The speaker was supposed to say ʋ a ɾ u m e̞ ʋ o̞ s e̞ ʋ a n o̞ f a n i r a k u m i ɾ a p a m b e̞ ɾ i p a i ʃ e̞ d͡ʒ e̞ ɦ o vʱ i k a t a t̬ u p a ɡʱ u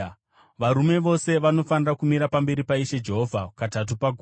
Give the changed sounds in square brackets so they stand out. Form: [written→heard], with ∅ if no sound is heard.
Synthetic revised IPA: ʋ a ɾ u m e̞ ʋ o̞ s e̞ ʋ a n o̞ f a n i r a k u m i ɾ a p a m b e̞ ɾ i p a i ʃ e̞ d͡ʒ e̞ ɦ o vʱ [i→a] k a t a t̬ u p a ɡʱ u